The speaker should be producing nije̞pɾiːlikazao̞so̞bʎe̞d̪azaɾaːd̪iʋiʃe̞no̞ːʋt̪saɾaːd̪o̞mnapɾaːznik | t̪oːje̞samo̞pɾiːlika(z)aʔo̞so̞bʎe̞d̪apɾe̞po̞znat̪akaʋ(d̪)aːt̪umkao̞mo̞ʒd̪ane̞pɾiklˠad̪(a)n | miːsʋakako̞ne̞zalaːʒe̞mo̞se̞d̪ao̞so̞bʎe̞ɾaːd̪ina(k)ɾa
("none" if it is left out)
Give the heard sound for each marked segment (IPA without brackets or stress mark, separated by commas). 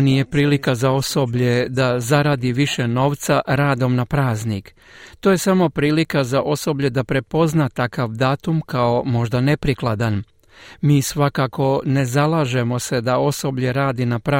z, d̪, a, p